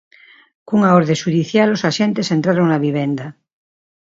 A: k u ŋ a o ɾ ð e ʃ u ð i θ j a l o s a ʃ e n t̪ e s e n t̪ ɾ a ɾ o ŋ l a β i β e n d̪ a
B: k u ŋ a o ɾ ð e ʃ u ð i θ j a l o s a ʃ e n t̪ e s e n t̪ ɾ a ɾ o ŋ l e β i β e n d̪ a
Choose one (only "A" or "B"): A